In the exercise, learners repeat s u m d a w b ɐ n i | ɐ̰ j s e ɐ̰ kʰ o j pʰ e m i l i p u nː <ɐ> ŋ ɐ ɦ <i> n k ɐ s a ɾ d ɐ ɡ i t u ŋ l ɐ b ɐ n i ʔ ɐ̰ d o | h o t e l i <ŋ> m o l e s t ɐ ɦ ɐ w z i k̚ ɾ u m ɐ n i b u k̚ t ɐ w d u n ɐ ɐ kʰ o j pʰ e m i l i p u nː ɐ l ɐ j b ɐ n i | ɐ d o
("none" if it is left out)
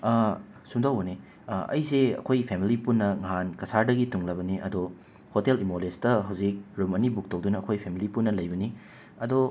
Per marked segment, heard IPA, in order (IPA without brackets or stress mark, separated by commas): ɐ, a, none